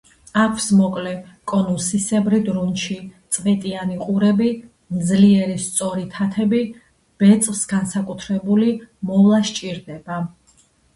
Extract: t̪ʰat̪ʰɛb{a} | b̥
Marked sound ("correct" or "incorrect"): incorrect